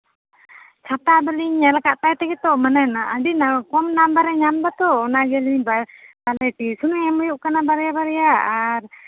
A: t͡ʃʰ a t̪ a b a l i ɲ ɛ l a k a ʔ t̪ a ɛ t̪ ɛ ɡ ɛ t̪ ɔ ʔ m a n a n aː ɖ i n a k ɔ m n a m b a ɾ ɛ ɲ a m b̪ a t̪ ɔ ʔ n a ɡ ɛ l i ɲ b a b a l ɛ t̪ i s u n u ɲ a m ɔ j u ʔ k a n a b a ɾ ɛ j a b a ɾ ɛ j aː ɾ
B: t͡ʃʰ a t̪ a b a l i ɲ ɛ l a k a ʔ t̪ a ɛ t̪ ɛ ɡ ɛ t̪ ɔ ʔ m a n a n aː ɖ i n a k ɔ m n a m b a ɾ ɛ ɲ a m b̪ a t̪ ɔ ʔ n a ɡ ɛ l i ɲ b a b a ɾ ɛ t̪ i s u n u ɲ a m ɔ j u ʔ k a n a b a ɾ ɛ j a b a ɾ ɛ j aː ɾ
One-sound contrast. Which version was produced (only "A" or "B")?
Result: A